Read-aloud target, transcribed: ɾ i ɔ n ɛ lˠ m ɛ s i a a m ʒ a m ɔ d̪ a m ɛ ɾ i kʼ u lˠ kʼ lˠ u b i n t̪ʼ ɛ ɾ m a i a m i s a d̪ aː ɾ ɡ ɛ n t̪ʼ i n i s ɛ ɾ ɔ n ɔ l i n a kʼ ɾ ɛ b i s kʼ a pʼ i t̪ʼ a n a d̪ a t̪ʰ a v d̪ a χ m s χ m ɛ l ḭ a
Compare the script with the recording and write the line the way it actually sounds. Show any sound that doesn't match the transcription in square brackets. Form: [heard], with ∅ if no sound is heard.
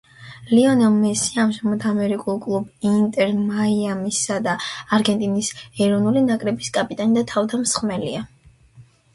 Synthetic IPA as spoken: [l] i ɔ n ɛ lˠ m ɛ s i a a m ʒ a m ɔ d̪ a m ɛ ɾ i kʼ u lˠ kʼ lˠ u b i n t̪ʼ ɛ ɾ m a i a m i s a d̪ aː ɾ ɡ ɛ n t̪ʼ i n i s ɛ ɾ ɔ n [u] l i n a kʼ ɾ ɛ b i s kʼ a pʼ i t̪ʼ a n [i] d̪ a t̪ʰ a v d̪ a [∅] m s χ m ɛ l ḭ a